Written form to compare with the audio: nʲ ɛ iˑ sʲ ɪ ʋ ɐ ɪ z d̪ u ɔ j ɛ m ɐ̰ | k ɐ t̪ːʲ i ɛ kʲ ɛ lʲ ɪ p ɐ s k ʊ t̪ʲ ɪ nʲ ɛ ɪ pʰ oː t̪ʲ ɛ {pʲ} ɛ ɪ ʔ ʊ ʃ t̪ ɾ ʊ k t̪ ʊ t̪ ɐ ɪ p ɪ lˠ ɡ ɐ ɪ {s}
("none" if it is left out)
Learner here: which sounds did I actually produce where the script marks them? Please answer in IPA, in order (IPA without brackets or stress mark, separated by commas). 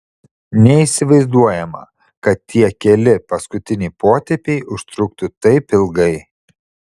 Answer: pʲ, none